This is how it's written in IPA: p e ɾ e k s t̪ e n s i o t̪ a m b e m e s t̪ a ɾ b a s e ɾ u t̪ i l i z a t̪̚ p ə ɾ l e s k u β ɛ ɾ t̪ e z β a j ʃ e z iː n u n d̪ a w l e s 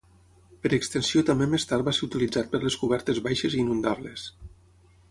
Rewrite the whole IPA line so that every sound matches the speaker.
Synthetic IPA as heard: p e ɾ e k s t̪ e n s i o t̪ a m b e m e s t̪ a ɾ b a s e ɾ u t̪ i l i d͡z a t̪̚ p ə ɾ l e s k u β ɛ ɾ t̪ e z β a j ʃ e z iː n u n d̪ a β l e s